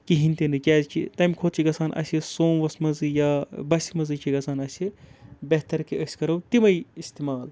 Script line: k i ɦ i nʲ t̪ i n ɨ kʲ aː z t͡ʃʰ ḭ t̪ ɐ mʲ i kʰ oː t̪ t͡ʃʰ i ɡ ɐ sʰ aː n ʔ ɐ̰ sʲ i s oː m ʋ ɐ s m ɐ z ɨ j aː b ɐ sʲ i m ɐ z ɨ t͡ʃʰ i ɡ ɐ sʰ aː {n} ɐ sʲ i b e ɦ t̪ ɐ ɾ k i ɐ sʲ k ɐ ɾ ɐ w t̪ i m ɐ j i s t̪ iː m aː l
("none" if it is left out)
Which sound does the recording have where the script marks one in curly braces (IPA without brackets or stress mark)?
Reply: n